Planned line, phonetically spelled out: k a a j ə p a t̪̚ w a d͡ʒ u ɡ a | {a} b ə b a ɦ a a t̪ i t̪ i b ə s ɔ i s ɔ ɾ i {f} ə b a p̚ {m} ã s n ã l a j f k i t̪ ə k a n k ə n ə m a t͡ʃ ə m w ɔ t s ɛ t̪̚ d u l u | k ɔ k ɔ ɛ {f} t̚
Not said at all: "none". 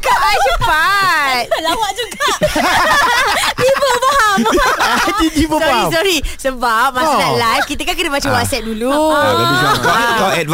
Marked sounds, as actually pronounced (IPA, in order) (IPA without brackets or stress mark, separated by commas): i, s, m, none